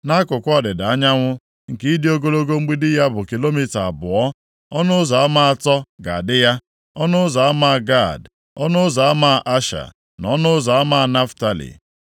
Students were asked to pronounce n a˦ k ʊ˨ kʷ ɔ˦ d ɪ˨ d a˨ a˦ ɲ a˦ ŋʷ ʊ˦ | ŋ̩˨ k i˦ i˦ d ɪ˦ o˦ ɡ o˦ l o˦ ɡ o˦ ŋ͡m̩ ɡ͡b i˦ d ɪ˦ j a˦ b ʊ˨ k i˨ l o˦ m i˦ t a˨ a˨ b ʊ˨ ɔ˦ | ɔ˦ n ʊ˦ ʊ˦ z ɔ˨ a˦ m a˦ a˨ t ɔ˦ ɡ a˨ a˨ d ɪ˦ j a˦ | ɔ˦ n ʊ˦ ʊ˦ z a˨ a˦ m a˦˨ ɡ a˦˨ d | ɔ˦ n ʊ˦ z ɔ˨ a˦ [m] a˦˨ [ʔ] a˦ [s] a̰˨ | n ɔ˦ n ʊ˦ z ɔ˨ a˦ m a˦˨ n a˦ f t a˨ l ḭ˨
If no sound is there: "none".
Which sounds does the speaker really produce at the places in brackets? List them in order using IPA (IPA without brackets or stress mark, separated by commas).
m, ʔ, ʃ